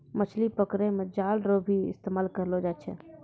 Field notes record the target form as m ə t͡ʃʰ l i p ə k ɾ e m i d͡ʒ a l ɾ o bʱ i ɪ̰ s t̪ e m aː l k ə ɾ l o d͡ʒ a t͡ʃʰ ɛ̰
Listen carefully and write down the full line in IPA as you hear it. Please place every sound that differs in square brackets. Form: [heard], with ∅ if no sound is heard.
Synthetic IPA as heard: m ə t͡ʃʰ l i p ə k ɾ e m [e] d͡ʒ a l ɾ o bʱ i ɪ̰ s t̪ e m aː l k ə ɾ l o d͡ʒ a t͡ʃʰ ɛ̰